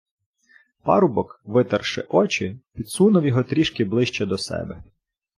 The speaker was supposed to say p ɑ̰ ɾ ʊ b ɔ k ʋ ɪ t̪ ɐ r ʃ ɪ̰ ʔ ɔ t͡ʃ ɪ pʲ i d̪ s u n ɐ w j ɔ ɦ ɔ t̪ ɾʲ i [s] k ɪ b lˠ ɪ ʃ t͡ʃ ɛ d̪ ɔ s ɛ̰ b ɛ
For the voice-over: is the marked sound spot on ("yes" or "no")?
no